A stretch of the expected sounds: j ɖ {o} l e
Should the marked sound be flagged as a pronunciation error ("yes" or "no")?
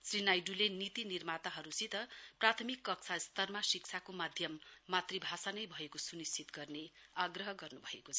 yes